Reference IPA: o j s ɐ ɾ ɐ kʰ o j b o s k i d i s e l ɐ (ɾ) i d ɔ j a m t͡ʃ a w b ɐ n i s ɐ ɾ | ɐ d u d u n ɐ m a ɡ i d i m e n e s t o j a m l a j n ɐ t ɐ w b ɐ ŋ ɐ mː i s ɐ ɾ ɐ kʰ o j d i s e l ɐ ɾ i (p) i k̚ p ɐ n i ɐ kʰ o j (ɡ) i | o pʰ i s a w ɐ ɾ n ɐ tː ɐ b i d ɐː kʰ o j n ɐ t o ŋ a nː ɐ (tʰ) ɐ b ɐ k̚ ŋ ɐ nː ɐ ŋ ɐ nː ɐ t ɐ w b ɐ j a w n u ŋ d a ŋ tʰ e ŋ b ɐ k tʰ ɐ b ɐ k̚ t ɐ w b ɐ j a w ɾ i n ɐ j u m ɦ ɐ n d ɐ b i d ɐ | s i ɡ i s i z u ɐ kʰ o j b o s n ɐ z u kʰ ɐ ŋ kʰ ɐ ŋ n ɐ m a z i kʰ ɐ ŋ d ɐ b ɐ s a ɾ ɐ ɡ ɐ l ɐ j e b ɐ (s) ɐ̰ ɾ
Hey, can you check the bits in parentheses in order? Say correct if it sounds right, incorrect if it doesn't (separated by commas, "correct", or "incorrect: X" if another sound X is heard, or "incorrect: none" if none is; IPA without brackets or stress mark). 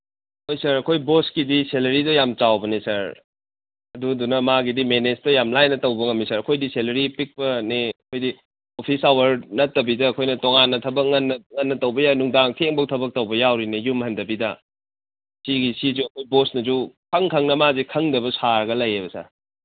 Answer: correct, correct, incorrect: d, correct, correct